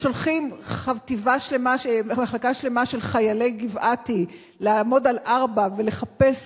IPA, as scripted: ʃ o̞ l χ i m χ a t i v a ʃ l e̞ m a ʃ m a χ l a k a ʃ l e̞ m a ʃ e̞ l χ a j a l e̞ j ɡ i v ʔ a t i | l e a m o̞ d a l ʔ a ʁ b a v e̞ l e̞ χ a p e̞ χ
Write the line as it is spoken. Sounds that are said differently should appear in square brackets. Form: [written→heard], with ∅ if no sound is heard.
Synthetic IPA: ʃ o̞ l χ i m χ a t i v a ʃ l e̞ m a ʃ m a χ l a k a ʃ l e̞ m a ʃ e̞ l χ a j a l e̞ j ɡ i v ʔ a t i | l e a m o̞ d a l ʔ a ʁ b a v e̞ l e̞ χ a p e̞ [χ→s]

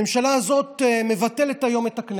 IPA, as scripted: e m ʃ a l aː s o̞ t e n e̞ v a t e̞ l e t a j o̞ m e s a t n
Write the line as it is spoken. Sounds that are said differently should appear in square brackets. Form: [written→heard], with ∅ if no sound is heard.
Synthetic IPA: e m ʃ a l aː [s→z] o̞ t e [n→m] e̞ v a t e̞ l e t a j o̞ m e [s→t] a [t→k] n

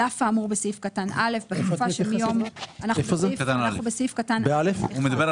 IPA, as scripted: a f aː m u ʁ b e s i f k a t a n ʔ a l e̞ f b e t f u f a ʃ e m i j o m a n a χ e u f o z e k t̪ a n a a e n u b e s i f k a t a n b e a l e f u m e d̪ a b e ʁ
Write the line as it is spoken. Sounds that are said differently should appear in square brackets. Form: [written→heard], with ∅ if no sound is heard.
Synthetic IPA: a f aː m u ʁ b e s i f k a t a n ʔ a l e̞ f b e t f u f a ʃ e m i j o m a n a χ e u f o z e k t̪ a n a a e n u b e s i f k a t a n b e a l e f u m e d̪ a b e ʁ

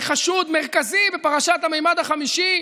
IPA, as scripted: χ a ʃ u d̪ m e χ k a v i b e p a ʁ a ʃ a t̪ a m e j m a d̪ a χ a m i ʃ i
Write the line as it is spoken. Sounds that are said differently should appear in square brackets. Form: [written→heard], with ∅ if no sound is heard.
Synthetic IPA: χ a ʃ u d̪ m e [χ→ʁ] k a [v→z] i b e p a ʁ a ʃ a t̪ a m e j m a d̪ a χ a m i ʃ i

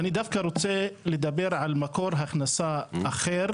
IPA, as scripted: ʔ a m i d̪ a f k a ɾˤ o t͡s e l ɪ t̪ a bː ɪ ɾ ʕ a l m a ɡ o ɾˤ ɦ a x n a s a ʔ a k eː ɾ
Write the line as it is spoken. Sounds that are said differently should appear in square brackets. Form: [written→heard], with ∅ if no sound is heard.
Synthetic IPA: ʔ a [m→n] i d̪ a f k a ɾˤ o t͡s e l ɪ [t̪→d̪] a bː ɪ ɾ ʕ a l m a [ɡ→k] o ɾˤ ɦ a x n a s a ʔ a [k→x] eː ɾ

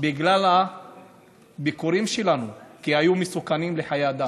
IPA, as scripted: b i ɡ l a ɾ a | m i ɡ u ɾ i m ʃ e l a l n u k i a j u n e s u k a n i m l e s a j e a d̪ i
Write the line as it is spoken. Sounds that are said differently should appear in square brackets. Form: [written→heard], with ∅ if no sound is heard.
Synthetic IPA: b i ɡ l a [ɾ→l] a | [m→b] i [ɡ→k] u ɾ i m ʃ e l a [l→∅] n u k i a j u [n→m] e s u k a n i m l e [s→ħ] a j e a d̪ [i→a]

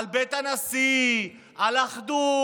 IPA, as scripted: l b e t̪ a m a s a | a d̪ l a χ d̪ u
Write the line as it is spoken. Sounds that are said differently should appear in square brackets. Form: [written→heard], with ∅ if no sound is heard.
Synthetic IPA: l b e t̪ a [m→n] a s [a→i] | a [d̪→∅] l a χ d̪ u

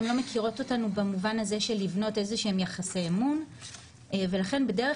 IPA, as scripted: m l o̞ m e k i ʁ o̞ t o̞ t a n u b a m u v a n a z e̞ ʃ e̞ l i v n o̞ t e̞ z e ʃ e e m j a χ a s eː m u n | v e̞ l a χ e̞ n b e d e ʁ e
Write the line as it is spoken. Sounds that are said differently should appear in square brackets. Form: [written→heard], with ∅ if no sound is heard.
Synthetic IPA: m l o̞ m e k i ʁ o̞ t o̞ t a n u b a m u v a n a z e̞ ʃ e̞ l i v n o̞ t e̞ z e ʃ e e m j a χ a s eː m u n | v e̞ l a χ e̞ n b e d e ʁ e

